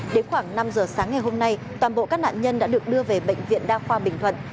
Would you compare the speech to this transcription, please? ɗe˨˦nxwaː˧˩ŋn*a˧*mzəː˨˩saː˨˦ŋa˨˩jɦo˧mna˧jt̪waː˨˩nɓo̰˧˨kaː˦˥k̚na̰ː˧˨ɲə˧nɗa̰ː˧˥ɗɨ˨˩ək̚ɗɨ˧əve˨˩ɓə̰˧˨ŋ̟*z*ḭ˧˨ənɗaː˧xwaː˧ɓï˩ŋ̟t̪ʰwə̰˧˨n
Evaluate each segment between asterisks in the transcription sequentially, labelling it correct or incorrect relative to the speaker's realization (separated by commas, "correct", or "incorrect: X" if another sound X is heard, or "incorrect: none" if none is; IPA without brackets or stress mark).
correct, incorrect: v